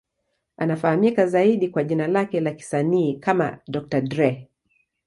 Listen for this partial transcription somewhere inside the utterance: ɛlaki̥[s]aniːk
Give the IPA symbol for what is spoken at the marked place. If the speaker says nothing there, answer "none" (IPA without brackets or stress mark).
s